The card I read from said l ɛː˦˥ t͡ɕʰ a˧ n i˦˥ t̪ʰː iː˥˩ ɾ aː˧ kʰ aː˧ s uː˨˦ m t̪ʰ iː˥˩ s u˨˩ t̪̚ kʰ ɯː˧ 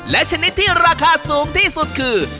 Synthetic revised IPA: l ɛ˦˥ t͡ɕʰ a˧ n i˦˥ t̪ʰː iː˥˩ ɾ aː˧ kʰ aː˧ s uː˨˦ ŋ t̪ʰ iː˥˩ s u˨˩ t̪̚ kʰ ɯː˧